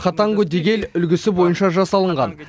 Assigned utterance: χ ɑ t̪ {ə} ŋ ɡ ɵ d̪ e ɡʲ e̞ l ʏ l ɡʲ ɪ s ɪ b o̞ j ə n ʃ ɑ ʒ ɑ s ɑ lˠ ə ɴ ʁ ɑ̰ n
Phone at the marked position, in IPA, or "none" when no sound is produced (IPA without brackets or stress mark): ɑ